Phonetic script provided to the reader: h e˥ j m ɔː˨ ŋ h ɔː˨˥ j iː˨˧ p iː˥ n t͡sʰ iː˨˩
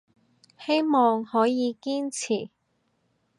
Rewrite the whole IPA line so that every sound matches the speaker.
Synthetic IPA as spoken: h e˥ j m ɔː˨ ŋ h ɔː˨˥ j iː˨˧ k iː˥ n t͡sʰ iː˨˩

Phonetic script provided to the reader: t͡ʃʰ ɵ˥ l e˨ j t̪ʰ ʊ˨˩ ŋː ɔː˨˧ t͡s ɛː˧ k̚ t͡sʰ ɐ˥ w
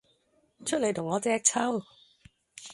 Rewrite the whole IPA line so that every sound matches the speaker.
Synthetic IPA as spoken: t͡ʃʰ ɵ˥ l e˨ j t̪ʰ ʊ˨˩ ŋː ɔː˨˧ t͡s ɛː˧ k̚ t͡sʰ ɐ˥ w

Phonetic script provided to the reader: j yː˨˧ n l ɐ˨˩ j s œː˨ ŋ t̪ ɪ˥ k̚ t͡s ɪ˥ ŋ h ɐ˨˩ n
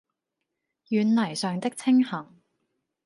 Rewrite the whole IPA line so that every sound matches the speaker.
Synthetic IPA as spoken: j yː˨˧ n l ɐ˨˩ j s œː˨ ŋ t̪ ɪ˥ k̚ t͡sʰ ɪ˥ ŋ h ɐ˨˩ ŋ

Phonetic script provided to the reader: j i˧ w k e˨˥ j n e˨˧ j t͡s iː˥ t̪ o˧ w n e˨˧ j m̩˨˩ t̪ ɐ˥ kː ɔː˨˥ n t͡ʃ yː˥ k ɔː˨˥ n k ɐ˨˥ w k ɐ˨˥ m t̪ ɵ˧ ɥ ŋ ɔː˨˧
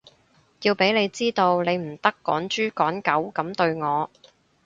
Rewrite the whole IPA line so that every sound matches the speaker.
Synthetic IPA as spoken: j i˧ w p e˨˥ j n e˨˧ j t͡s iː˥ t̪ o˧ w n e˨˧ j m̩˨˩ t̪ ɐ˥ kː ɔː˨˥ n t͡ʃ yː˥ k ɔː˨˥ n k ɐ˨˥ w k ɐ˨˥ m t̪ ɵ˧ ɥ ŋ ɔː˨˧

